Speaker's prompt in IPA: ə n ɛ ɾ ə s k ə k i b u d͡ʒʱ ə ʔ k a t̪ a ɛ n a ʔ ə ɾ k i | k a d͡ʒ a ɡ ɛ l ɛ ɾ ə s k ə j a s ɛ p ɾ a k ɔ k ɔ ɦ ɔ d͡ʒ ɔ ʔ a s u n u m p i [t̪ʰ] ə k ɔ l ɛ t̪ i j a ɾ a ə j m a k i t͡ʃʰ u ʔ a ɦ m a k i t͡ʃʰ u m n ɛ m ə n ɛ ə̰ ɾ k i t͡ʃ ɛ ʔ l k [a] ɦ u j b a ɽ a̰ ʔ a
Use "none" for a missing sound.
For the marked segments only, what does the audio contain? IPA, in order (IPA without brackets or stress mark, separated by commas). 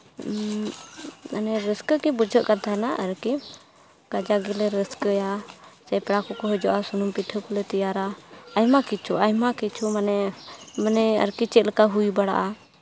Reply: t̪ʰ, a